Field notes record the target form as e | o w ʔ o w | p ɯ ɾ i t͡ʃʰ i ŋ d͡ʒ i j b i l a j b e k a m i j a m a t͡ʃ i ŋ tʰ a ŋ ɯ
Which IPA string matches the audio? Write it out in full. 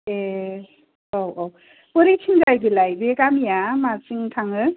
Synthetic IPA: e | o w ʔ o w | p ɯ ɾ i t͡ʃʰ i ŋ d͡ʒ a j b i l a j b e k a m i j a m a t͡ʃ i ŋ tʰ a ŋ ɯ